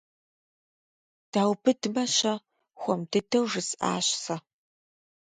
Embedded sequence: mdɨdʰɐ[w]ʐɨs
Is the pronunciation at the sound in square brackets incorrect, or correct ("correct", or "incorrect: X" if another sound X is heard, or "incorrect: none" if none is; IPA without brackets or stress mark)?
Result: correct